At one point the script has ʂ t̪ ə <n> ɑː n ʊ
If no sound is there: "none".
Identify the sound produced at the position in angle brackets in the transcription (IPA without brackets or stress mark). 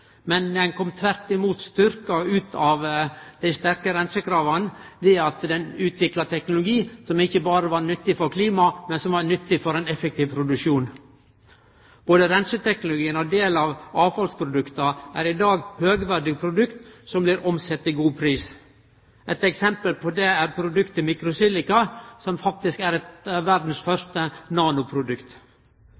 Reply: n